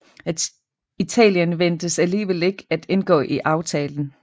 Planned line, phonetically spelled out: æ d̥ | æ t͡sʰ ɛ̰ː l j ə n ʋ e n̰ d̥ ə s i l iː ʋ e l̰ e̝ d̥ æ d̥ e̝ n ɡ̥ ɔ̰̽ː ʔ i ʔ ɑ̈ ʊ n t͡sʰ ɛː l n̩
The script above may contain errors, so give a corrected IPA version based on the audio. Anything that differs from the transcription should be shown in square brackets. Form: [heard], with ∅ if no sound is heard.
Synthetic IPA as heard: æ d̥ | [i] t͡sʰ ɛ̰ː l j ə n ʋ e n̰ d̥ ə s [æ] l iː ʋ e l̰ e̝ [ɡ̥] æ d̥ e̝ n ɡ̥ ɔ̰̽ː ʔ i ʔ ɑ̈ ʊ [∅] t͡sʰ ɛː l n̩